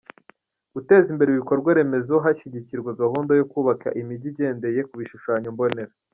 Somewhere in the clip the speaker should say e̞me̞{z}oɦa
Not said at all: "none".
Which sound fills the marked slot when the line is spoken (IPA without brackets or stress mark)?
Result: z